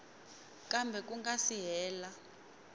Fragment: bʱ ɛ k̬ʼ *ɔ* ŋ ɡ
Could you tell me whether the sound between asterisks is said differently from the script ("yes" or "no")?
yes